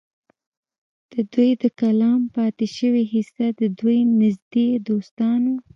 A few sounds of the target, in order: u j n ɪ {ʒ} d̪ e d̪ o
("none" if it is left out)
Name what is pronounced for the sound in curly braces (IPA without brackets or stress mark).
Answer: z